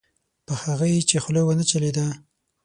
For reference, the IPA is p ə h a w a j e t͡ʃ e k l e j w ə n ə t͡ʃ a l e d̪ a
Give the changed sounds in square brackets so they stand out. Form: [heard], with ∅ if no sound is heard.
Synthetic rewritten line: p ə h a [ɣ] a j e t͡ʃ e [x] l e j w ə n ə t͡ʃ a l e d̪ a